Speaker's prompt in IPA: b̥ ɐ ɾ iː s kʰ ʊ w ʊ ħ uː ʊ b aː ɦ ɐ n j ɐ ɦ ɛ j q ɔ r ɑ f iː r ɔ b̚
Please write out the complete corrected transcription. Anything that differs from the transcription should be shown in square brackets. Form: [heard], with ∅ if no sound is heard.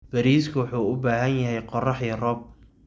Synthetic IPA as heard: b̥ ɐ ɾ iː s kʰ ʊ w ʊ ħ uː ʊ b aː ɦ ɐ n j ɐ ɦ ɛ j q ɔ r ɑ [ħ] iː r ɔ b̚